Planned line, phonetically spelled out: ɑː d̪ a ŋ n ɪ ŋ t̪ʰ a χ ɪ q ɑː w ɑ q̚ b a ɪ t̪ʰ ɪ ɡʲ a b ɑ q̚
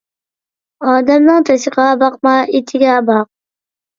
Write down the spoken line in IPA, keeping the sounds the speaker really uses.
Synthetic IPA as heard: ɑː d̪ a m n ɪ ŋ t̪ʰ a s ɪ q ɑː b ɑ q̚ m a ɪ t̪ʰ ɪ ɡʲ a b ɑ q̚